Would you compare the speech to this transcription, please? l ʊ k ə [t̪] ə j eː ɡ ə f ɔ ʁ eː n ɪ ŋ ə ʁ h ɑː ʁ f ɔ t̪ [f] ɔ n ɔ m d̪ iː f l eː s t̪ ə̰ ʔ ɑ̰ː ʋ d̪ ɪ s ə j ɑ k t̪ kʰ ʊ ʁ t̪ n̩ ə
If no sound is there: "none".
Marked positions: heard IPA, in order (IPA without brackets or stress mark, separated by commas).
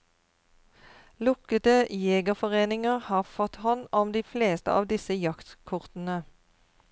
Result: t̪, h